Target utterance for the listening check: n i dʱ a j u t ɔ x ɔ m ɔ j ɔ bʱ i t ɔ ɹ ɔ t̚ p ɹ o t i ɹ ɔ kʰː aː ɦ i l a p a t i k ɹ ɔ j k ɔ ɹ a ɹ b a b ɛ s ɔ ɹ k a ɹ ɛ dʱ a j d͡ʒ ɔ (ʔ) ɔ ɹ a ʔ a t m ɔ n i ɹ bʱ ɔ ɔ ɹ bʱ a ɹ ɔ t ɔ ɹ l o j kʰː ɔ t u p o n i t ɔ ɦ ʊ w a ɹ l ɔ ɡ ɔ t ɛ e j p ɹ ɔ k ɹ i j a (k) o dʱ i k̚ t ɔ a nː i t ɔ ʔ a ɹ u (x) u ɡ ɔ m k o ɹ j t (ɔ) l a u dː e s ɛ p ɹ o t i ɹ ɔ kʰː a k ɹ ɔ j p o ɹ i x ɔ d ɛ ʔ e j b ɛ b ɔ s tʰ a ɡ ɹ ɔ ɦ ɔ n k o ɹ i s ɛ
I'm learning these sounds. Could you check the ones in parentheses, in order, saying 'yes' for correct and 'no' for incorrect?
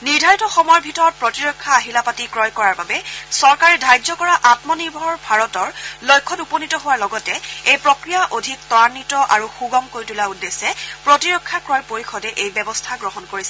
no, no, yes, no

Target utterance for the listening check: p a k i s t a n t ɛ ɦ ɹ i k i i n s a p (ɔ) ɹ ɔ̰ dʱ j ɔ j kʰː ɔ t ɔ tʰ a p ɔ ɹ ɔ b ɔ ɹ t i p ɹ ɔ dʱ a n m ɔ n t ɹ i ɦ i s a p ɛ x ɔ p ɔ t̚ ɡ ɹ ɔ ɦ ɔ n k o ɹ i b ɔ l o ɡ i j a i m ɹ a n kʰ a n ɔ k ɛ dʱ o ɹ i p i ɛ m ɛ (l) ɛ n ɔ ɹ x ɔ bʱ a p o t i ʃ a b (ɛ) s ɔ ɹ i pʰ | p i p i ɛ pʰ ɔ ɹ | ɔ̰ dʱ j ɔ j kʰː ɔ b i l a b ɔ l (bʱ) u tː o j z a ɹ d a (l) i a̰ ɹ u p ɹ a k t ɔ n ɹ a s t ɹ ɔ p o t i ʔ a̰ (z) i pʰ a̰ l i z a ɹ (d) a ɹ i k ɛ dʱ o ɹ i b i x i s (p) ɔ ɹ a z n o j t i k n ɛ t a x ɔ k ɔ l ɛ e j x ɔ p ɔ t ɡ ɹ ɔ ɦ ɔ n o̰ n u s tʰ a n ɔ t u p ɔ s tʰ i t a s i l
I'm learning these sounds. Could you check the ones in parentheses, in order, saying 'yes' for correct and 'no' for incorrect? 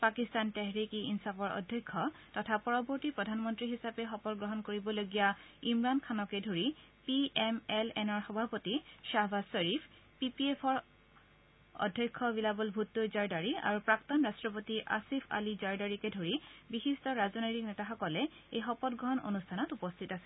yes, yes, no, yes, no, no, yes, no

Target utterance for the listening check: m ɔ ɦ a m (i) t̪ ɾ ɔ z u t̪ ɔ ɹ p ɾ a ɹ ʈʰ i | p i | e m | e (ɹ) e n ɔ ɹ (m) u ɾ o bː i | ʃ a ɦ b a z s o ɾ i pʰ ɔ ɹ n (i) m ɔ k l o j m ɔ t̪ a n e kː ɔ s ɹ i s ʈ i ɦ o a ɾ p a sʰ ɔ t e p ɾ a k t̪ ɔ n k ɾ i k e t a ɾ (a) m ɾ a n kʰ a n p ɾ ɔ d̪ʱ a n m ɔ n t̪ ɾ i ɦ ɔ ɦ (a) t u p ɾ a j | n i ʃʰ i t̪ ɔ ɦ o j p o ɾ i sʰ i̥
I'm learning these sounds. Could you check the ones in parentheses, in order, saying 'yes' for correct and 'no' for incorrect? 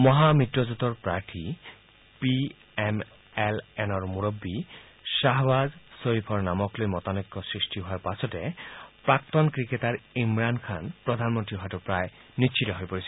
yes, no, yes, no, no, yes

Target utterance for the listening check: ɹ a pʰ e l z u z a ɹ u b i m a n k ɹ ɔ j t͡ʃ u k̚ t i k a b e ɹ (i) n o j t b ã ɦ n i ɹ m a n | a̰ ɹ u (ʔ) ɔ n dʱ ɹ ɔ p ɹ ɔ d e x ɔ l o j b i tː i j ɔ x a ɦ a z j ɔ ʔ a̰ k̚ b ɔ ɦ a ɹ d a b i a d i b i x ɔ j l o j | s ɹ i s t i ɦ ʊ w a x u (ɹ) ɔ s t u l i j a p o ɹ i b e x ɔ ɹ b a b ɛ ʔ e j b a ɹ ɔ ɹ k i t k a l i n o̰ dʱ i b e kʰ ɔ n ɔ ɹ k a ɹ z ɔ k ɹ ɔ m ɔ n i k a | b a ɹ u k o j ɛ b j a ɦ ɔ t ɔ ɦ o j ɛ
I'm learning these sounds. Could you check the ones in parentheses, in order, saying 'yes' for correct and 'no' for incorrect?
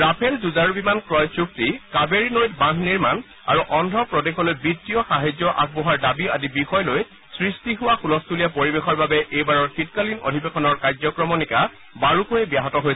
yes, yes, no

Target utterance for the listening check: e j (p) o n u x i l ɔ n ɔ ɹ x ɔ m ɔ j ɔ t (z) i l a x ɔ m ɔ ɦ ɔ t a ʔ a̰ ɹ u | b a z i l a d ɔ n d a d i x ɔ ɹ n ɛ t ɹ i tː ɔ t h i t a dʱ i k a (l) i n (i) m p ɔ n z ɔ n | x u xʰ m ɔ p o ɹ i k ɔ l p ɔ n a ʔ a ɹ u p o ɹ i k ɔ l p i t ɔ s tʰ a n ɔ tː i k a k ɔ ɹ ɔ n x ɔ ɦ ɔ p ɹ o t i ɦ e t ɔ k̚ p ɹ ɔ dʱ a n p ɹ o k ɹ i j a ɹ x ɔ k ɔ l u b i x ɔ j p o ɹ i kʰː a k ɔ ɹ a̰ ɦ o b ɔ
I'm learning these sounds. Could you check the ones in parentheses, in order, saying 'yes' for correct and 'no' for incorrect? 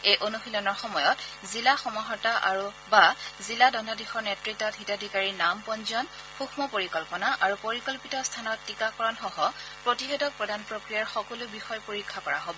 no, yes, no, no

